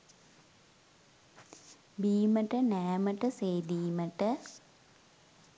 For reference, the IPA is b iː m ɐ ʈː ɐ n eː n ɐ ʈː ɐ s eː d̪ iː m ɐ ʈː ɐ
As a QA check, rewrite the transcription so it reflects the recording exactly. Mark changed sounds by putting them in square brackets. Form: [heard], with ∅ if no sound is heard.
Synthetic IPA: b iː m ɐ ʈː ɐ n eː [m] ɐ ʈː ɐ s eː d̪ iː m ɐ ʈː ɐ